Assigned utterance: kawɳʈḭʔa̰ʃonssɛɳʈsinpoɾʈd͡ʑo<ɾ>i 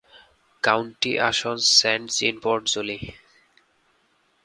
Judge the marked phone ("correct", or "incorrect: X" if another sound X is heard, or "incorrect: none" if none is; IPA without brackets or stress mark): incorrect: l